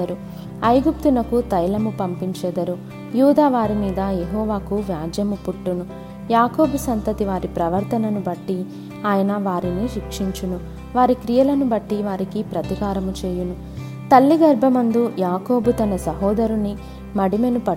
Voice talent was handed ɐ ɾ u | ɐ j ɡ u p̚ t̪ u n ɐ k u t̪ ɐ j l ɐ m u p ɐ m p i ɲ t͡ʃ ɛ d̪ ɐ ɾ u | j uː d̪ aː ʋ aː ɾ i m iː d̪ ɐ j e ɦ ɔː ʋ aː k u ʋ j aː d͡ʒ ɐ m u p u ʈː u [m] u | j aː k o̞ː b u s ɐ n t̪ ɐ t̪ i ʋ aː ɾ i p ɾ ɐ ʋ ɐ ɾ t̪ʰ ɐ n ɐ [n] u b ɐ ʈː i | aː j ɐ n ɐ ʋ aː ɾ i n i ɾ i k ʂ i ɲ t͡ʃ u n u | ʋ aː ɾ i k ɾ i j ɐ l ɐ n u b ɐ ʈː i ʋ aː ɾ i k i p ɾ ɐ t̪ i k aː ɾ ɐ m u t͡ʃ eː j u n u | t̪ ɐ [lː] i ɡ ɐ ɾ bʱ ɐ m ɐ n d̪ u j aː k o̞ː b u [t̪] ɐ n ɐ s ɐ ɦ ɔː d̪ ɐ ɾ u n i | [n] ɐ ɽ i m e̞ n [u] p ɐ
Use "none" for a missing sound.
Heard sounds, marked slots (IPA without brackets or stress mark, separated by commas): n, n, lː, t̪, m, u